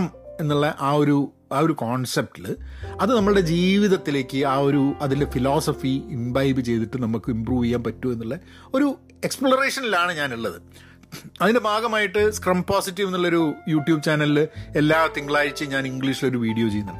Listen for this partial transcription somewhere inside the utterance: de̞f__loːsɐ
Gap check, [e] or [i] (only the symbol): i